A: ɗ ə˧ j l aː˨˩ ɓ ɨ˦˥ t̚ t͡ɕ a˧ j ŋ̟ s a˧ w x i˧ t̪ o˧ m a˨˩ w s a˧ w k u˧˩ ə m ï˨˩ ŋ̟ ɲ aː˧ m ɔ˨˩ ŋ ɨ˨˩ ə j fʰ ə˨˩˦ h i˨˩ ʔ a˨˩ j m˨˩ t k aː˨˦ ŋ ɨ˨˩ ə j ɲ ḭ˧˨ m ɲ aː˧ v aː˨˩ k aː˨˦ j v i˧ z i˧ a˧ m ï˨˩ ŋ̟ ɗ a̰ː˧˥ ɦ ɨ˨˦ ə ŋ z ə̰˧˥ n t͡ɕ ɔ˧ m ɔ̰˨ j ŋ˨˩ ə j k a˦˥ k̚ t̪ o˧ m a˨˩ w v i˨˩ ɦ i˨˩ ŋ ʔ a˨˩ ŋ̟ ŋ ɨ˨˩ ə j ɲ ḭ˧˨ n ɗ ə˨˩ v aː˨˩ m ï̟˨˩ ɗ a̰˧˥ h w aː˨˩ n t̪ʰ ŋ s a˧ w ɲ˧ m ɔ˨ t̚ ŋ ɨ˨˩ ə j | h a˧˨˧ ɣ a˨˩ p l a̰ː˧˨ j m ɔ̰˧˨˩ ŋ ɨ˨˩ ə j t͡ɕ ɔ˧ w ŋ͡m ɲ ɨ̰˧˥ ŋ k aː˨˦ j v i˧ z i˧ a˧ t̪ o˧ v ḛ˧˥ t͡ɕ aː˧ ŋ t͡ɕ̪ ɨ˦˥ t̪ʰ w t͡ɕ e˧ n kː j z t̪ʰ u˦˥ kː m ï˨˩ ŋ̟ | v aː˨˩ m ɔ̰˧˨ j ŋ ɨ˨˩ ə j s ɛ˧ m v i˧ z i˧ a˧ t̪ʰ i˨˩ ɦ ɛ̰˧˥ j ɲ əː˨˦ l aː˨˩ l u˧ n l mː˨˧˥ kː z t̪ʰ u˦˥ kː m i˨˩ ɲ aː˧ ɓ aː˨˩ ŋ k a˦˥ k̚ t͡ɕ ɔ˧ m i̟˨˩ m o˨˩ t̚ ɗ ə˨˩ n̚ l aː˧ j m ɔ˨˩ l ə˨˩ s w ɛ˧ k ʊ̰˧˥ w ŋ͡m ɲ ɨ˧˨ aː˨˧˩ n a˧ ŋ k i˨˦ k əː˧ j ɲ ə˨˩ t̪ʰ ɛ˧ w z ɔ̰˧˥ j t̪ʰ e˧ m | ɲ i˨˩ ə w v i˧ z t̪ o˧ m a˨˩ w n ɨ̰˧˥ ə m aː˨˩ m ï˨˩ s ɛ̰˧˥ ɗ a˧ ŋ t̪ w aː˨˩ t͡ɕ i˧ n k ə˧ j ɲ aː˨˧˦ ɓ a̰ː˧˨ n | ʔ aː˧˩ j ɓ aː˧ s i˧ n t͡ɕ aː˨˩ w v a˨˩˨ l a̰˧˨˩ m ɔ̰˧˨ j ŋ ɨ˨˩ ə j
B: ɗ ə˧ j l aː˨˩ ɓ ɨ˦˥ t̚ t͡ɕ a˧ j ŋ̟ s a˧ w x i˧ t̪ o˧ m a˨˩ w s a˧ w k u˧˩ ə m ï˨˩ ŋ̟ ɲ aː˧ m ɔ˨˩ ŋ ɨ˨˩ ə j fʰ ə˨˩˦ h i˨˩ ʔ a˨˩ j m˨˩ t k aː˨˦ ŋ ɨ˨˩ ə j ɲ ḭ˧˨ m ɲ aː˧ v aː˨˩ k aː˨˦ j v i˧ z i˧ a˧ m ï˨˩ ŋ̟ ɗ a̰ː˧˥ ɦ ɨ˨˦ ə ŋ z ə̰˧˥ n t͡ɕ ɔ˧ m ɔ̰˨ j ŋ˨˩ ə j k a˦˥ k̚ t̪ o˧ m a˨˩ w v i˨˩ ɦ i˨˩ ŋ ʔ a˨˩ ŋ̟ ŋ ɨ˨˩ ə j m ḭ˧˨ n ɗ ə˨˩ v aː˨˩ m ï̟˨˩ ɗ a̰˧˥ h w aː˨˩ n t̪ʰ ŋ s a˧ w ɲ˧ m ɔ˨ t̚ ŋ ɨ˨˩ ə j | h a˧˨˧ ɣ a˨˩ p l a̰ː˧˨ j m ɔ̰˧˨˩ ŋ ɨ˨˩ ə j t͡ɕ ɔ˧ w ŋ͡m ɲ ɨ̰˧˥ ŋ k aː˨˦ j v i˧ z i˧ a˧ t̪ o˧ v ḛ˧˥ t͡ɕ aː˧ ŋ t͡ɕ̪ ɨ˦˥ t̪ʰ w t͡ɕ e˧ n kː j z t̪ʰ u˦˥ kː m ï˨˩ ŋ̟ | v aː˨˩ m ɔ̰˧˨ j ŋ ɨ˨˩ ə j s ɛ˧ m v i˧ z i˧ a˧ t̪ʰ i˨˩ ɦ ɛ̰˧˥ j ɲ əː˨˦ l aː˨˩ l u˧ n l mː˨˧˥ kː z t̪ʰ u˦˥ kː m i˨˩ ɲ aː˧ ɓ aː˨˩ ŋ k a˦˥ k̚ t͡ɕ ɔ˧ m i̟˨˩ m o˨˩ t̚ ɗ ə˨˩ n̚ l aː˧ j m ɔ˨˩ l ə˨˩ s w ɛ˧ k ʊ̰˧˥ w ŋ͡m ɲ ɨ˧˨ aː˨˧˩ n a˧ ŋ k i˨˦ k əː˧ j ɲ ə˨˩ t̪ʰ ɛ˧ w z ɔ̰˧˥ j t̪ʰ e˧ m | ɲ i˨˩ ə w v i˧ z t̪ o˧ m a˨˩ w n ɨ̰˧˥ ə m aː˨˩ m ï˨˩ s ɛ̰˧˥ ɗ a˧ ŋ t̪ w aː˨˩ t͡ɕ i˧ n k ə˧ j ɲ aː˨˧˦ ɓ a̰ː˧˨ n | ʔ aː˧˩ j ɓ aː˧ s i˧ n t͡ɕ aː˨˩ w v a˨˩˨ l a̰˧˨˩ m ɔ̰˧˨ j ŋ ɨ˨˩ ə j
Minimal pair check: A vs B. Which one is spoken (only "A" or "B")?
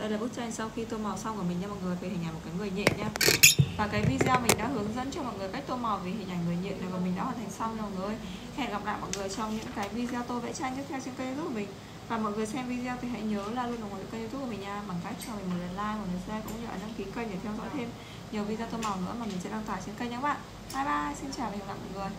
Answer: A